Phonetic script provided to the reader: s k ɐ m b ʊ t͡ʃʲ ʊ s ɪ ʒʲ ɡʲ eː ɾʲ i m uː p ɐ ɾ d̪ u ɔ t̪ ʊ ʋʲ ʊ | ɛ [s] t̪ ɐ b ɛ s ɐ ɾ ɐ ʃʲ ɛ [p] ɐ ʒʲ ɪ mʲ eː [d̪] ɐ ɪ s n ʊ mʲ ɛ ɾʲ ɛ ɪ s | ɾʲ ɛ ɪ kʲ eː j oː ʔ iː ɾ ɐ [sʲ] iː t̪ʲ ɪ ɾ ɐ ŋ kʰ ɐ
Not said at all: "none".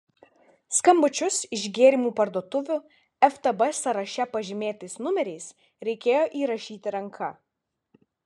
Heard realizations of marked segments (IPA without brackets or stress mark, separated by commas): f, p, t̪, ʃʲ